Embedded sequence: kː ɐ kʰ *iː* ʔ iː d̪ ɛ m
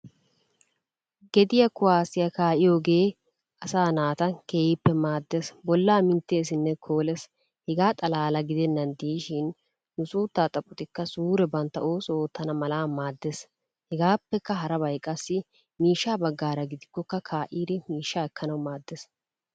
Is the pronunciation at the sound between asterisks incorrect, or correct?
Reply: incorrect